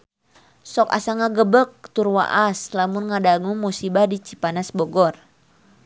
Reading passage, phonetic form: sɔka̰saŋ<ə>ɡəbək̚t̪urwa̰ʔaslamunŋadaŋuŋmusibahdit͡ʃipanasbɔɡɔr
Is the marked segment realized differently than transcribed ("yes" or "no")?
yes